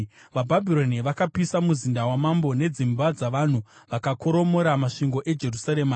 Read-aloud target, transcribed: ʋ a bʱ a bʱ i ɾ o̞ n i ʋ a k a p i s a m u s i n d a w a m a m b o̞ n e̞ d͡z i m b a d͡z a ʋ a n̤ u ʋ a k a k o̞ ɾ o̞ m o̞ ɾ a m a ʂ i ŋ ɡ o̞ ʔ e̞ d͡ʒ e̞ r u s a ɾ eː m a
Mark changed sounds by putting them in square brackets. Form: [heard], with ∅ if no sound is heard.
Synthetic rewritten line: ʋ a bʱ a bʱ i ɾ o̞ n i ʋ a k a p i s a m u [z] i n d a w a m a m b o̞ n e̞ d͡z i m b a d͡z a ʋ a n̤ u ʋ a k a k o̞ ɾ o̞ m o̞ ɾ a m a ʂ i ŋ ɡ o̞ ʔ e̞ d͡ʒ e̞ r u s a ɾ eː m a